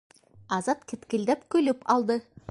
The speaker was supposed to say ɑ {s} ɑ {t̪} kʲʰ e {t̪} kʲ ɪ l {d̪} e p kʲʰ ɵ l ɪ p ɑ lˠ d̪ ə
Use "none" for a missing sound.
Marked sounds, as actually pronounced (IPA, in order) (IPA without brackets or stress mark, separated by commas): z, t̪, t̪, d̪